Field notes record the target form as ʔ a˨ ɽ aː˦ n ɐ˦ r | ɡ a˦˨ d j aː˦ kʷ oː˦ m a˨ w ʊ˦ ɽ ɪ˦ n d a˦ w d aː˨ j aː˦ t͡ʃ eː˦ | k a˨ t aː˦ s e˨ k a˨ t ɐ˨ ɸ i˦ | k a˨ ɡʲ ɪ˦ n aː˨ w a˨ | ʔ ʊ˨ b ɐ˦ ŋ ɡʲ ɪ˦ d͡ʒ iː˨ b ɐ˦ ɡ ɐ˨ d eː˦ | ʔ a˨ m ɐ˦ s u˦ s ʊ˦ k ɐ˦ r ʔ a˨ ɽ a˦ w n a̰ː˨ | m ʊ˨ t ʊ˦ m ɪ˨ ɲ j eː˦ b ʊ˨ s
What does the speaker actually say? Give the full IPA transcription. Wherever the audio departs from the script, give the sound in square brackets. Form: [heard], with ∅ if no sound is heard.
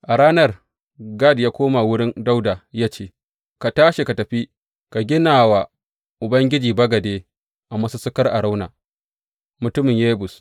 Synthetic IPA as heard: ʔ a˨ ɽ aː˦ n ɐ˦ r | ɡ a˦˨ d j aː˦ kʷ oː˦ m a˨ w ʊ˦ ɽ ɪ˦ n d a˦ w d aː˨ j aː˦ t͡ʃ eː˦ | k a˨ t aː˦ [ʃ] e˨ k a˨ t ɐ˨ ɸ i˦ | k a˨ ɡʲ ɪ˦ n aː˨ w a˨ | ʔ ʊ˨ b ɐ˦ ŋ ɡʲ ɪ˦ d͡ʒ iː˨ b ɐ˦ ɡ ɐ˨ d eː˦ | ʔ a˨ m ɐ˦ s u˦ s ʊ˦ k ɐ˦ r ʔ a˨ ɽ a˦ w n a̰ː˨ | m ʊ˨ t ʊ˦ m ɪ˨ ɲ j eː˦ b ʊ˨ s